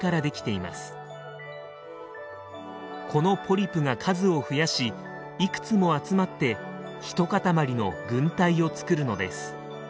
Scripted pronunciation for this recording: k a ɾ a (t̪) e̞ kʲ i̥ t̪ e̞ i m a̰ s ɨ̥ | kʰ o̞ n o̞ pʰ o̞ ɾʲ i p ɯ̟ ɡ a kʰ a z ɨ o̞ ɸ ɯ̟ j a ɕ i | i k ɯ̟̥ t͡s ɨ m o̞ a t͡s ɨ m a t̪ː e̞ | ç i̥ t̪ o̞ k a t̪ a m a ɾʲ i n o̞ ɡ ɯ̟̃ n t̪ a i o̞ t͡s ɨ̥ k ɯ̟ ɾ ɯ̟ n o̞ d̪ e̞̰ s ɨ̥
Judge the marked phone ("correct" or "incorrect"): incorrect